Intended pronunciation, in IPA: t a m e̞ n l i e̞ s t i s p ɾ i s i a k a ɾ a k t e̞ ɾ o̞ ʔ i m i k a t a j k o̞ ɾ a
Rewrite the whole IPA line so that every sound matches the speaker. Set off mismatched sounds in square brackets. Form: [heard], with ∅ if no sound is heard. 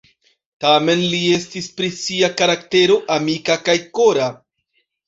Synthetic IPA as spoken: t a m e̞ n l i e̞ s t i s p ɾ i s i a k a ɾ a k t e̞ ɾ o̞ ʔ [a] m i k a [k] a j k o̞ ɾ a